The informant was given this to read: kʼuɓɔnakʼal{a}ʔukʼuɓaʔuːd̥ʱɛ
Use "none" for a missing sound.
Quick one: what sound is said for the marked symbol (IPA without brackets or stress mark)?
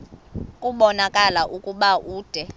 a